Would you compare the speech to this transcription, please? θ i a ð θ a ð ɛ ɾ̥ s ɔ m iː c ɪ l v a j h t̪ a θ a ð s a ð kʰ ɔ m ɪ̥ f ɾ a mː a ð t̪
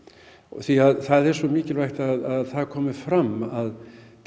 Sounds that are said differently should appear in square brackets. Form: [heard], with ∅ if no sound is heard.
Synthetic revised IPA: θ i a ð θ a ð ɛ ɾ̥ s ɔ m iː c ɪ l v a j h t̪ a [ð] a ð [θ] a ð kʰ [ɔː] m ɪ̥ f ɾ a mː a ð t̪